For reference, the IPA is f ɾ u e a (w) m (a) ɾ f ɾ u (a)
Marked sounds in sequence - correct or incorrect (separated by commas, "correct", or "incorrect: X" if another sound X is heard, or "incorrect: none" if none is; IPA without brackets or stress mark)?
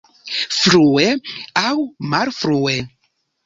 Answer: correct, correct, incorrect: e